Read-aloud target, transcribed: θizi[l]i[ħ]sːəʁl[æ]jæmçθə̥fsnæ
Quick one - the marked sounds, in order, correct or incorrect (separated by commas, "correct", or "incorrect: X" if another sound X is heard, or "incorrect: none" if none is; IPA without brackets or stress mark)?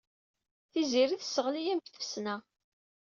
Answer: incorrect: ɾ, incorrect: θ, incorrect: i